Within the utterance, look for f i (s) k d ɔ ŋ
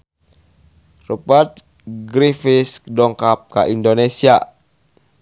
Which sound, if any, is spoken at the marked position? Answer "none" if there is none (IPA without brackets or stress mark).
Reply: s